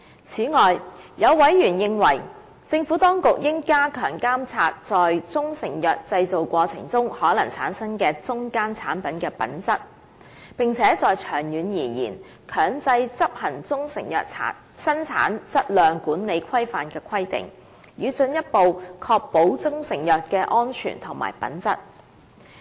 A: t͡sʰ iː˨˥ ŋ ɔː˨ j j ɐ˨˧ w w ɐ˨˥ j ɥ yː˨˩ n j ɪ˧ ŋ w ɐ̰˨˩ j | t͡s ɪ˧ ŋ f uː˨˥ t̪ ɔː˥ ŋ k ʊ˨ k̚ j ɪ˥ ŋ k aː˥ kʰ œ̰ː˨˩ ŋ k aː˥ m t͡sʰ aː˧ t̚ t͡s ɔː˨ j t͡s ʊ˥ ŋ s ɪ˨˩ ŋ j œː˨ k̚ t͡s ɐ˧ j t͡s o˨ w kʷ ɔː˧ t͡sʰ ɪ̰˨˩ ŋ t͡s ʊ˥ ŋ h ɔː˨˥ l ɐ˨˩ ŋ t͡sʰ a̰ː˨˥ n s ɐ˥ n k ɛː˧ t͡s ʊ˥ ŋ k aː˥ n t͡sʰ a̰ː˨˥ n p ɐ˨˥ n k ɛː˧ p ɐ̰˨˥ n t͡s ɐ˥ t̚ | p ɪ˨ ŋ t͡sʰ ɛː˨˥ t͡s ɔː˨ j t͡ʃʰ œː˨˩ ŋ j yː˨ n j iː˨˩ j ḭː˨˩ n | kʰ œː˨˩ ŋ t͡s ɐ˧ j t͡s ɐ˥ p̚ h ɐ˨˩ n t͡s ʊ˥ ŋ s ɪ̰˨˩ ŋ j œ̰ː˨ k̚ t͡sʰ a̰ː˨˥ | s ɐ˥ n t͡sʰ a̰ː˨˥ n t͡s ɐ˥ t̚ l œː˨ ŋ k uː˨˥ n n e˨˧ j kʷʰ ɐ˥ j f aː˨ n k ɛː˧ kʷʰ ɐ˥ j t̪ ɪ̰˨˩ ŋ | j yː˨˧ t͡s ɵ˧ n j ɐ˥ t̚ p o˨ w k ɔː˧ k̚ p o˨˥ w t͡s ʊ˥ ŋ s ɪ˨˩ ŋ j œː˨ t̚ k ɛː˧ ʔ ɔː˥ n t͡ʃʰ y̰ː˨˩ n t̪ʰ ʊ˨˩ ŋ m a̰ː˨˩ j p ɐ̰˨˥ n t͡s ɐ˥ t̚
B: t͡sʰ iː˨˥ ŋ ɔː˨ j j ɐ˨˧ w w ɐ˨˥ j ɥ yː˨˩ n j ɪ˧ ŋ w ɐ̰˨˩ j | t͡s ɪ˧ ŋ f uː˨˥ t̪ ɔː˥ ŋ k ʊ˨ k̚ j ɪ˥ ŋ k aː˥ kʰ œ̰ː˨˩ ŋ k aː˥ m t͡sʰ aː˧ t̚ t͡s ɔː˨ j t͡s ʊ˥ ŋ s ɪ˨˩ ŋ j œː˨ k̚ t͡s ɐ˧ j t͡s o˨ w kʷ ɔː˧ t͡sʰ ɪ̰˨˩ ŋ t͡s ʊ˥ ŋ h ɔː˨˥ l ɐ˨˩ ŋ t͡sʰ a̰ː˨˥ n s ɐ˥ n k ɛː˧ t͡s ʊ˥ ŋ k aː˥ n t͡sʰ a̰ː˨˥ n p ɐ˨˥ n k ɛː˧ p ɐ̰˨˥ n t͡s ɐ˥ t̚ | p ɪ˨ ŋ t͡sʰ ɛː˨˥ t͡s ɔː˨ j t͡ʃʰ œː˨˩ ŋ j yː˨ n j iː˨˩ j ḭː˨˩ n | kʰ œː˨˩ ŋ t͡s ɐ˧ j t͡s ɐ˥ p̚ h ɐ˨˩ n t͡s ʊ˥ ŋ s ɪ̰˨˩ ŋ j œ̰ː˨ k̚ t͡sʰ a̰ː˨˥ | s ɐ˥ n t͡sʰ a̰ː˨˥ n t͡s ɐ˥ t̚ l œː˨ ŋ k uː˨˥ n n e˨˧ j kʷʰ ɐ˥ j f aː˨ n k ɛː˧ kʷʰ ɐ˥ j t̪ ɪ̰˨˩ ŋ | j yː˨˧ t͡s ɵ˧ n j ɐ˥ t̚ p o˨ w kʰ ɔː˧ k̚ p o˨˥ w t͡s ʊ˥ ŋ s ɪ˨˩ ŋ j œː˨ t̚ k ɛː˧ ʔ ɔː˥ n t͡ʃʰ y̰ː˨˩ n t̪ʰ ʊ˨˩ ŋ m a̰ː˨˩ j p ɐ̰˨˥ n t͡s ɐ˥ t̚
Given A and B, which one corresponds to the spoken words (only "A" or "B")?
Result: B